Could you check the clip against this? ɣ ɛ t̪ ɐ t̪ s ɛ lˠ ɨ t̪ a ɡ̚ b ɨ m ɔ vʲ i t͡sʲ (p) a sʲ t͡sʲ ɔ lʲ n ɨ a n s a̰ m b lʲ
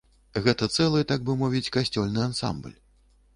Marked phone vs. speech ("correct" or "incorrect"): incorrect